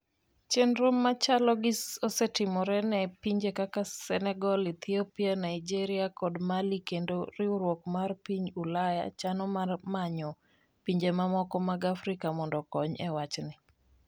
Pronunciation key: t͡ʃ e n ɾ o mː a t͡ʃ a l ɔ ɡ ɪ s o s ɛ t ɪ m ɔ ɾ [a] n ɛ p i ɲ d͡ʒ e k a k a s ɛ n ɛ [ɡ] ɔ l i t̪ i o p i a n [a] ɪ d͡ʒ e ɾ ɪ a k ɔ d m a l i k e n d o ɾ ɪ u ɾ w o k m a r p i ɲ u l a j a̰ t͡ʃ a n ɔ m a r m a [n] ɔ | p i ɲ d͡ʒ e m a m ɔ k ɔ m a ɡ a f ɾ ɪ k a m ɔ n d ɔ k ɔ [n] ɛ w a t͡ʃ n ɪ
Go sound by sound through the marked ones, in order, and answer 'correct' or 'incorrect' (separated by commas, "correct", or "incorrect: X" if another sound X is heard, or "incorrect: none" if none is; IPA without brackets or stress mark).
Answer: incorrect: ɛ, correct, correct, incorrect: ɲ, incorrect: ɲ